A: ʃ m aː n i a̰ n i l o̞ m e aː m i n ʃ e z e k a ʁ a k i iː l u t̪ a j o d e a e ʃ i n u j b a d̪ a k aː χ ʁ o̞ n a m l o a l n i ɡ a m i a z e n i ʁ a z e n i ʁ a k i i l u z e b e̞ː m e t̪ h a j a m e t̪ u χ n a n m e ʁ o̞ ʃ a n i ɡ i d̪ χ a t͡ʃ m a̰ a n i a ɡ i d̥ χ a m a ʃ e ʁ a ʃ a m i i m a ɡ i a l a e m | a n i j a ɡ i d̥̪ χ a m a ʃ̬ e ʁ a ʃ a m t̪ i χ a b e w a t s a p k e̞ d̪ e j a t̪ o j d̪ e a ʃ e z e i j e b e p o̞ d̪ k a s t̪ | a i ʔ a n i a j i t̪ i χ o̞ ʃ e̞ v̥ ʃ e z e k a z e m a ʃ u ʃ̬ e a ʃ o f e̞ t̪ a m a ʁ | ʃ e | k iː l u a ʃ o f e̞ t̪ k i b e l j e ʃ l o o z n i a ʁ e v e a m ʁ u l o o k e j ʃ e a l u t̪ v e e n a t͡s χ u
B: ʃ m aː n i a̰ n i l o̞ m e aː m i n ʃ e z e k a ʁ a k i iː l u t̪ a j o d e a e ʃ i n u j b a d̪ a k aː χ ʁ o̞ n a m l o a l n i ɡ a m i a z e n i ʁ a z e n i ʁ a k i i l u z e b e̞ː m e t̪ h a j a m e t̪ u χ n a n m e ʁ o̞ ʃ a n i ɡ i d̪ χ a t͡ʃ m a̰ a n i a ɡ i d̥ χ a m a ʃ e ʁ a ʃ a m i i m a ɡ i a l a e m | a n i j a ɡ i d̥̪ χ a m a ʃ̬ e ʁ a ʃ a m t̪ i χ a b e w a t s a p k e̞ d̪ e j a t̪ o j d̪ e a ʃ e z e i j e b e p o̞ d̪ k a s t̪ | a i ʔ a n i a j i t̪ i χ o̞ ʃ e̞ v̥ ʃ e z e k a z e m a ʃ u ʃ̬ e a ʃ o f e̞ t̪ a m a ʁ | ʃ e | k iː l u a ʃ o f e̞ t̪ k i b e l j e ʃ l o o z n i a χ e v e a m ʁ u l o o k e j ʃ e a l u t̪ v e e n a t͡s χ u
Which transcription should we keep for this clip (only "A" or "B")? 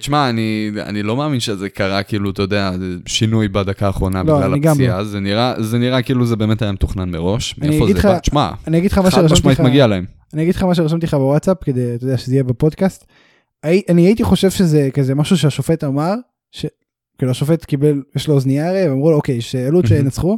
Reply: A